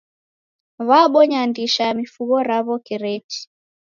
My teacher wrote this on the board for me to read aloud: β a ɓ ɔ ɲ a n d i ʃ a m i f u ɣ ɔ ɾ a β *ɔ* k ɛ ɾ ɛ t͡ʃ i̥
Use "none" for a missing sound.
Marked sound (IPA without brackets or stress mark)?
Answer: ɔ